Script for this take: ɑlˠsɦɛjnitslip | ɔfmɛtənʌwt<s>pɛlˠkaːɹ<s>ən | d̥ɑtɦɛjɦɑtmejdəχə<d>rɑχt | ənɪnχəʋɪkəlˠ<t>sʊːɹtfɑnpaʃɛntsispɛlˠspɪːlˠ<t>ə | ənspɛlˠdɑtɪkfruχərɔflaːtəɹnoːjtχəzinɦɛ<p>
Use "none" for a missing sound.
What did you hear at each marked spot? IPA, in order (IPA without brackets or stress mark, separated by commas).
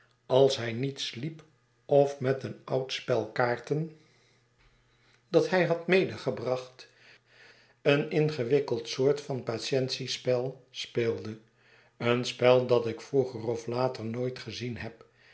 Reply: s, t, b, t, d, p